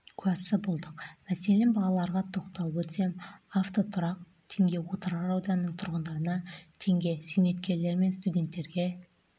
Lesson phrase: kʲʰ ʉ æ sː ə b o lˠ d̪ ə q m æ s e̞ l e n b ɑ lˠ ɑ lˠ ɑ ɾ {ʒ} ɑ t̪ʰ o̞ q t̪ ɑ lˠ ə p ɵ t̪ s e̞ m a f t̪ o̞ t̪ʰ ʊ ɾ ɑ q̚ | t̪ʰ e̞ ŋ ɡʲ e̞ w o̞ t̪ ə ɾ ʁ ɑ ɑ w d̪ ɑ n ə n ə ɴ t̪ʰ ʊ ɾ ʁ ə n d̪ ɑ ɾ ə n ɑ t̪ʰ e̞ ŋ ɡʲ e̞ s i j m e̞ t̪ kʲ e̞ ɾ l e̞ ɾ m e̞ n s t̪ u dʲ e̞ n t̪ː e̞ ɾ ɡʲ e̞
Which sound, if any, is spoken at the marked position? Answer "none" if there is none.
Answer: ʁ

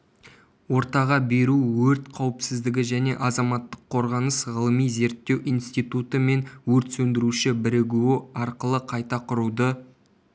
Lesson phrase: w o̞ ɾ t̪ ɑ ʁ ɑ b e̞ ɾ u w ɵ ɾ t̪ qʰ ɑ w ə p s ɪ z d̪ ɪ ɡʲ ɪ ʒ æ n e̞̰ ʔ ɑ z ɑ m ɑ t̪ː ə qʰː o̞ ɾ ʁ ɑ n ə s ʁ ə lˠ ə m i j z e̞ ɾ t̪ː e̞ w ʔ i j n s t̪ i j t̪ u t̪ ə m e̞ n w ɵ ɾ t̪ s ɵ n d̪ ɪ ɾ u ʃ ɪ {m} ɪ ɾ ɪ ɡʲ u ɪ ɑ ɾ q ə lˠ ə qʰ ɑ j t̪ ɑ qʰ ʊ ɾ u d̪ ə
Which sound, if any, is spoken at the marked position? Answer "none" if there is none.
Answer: b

